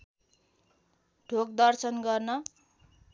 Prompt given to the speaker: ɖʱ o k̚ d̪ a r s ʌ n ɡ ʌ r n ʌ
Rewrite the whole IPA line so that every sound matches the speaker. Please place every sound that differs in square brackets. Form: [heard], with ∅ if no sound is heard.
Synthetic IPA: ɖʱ o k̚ d̪ [ʌ] r s ʌ n ɡ ʌ r n ʌ